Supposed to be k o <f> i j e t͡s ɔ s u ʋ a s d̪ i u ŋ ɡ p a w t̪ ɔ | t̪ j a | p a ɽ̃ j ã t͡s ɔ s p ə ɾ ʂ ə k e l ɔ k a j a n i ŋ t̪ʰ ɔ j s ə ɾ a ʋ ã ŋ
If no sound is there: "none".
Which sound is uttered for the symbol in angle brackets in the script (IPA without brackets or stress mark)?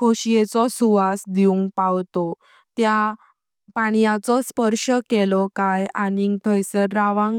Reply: ɕ